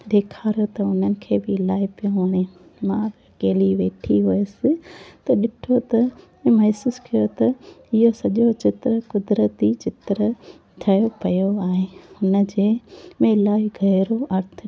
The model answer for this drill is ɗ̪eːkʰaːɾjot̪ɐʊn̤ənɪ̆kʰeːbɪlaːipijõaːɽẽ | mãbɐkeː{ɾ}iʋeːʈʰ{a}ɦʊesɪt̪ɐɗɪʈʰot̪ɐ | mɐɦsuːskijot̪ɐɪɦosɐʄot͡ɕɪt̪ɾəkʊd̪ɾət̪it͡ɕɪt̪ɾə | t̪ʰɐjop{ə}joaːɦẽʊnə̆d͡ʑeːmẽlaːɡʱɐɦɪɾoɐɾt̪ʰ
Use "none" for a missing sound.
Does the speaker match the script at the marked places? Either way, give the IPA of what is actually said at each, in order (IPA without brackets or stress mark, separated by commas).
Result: l, i, ɐ